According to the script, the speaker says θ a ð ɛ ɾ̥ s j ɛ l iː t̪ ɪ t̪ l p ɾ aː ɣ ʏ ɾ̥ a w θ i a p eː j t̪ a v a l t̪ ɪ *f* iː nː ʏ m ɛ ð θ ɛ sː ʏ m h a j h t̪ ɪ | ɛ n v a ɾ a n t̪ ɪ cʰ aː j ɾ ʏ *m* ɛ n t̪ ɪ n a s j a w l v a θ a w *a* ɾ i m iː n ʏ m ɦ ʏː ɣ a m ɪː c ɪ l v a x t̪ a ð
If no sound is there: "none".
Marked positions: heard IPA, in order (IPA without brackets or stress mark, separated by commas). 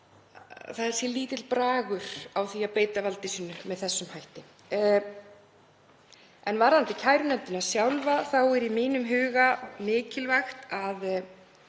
s, n, ɛ